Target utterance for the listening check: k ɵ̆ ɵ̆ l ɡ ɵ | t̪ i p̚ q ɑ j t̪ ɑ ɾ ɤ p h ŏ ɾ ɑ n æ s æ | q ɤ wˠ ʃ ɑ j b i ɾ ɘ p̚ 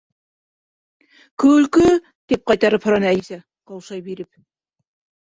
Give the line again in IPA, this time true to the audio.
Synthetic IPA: k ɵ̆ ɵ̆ l k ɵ | t̪ i p̚ q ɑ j t̪ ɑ ɾ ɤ p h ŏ ɾ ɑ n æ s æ | q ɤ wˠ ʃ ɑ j b i ɾ ɘ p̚